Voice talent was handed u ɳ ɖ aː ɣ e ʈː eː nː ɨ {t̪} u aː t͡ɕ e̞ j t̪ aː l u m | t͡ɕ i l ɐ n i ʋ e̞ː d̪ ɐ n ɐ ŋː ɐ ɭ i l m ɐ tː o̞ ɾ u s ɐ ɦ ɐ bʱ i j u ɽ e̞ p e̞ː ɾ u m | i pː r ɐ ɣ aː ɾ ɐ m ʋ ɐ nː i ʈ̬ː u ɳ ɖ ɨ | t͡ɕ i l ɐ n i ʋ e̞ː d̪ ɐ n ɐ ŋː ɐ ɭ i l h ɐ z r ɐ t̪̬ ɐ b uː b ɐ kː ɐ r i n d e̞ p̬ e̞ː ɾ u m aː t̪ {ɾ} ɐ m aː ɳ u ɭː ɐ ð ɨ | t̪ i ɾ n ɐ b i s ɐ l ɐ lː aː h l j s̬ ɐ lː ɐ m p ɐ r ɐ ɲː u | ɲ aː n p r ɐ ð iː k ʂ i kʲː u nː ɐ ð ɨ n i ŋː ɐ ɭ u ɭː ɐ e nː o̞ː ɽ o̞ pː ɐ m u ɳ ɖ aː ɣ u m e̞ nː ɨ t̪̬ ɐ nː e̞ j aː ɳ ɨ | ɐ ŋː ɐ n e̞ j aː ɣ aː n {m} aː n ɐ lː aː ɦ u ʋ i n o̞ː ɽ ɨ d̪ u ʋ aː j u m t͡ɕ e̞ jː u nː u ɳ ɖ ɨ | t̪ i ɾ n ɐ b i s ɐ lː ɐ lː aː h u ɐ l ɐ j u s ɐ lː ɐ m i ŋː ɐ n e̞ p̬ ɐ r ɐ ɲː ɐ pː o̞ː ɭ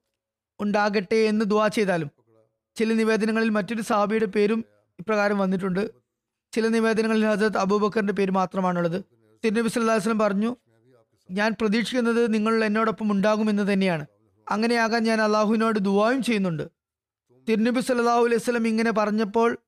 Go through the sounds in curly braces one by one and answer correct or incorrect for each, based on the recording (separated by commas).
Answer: incorrect, incorrect, incorrect